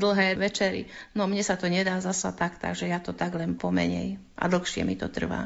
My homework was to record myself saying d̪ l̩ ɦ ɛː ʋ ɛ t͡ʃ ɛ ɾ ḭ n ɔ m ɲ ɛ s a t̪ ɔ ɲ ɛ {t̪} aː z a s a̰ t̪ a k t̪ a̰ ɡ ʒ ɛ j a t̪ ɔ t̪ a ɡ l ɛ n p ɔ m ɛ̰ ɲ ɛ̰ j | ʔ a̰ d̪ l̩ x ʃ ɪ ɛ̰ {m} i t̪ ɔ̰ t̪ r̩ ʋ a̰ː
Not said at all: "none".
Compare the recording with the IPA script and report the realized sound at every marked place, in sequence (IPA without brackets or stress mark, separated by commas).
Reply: d̪, m